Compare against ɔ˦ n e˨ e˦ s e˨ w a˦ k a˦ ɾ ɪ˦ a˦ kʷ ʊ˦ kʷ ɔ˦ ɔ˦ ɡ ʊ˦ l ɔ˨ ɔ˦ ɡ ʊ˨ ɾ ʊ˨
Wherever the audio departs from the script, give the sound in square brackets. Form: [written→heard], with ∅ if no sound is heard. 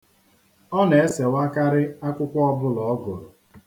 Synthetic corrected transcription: ɔ˦ n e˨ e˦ s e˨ w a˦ k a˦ ɾ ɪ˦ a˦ kʷ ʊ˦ kʷ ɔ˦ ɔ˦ [ɡ→b] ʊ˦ l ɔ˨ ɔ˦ ɡ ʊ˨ ɾ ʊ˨